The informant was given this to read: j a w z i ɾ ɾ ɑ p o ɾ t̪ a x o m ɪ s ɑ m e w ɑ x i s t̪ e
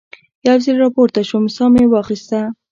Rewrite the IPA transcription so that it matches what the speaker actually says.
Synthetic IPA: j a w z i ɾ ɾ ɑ p o ɾ t̪ a ʃ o m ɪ s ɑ m e w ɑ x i s t̪ a